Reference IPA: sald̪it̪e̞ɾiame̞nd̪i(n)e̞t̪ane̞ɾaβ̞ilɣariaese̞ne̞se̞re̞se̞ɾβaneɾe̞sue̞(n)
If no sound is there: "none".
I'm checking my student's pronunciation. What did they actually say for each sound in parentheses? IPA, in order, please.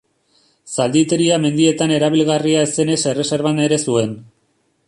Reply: none, n

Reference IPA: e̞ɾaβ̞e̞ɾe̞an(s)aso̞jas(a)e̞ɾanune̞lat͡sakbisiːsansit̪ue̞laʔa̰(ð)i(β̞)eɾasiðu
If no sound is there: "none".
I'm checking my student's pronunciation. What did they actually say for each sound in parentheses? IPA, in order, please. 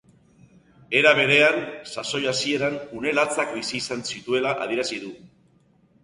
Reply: s, i, ð, none

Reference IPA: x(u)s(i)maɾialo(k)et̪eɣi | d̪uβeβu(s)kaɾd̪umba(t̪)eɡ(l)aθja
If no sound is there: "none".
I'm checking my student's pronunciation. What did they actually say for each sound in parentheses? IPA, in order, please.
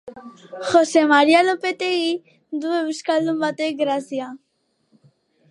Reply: o, e, p, s, t̪, ɾ

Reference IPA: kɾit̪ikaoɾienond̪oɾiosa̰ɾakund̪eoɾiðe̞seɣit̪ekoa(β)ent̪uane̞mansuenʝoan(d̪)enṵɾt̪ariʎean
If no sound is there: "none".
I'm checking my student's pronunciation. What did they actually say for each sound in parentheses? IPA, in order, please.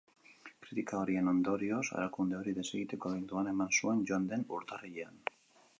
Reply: β, d̪

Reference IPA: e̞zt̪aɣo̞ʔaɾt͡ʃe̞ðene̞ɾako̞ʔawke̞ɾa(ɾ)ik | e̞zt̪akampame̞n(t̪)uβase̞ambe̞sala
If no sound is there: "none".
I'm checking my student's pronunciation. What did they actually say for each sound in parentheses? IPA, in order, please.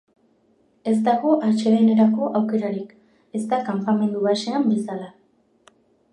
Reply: ɾ, d̪

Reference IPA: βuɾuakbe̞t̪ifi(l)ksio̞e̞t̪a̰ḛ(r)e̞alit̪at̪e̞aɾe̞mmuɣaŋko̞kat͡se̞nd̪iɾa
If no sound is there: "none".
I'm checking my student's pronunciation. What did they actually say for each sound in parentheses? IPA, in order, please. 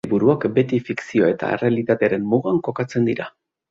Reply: none, r

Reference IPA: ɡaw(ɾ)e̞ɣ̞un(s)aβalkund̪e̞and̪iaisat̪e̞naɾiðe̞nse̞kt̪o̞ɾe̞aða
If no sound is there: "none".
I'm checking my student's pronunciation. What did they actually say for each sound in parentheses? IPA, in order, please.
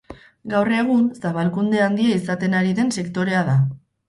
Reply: r, s

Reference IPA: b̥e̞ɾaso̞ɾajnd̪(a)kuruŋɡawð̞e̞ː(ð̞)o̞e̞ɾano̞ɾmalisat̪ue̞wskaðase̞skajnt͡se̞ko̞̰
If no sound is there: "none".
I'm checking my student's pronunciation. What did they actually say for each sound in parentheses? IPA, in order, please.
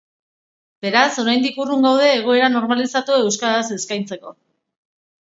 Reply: i, ɣ̞

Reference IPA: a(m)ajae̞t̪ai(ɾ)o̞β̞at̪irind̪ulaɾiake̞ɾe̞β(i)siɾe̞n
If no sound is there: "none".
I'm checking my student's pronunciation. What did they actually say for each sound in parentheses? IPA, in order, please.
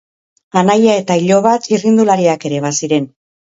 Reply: n, ʎ, a

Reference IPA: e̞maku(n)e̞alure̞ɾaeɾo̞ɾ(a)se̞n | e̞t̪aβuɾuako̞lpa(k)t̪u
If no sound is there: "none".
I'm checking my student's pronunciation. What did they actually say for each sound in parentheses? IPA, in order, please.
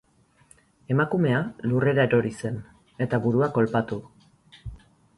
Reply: m, i, none

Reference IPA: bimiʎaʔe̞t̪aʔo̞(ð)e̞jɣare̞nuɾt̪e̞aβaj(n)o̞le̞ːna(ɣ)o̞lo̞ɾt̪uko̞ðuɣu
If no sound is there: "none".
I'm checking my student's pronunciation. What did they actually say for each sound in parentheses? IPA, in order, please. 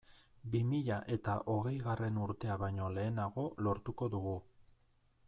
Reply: ɣ, ɲ, ɣ

